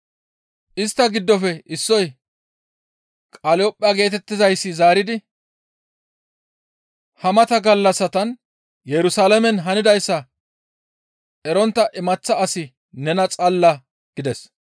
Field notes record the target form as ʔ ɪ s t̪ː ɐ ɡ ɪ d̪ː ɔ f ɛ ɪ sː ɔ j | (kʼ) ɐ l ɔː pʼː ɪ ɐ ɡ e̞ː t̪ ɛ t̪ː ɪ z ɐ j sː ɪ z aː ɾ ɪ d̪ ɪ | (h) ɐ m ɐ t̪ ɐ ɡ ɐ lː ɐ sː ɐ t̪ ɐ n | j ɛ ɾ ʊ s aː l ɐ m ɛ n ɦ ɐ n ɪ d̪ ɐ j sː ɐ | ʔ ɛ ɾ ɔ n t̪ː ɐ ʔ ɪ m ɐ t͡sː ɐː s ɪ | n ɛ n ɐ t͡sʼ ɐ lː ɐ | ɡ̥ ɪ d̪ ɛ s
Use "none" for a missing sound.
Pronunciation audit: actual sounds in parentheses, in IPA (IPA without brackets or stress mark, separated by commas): kʼ, h